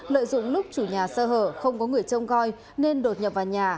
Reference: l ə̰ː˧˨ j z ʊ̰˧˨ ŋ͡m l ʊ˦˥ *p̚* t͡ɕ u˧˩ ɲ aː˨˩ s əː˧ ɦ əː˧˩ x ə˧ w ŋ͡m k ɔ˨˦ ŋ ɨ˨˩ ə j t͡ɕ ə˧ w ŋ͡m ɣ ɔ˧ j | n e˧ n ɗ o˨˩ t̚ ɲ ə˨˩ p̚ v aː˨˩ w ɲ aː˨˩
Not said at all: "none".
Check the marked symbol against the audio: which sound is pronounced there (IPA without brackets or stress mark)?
k͡p̚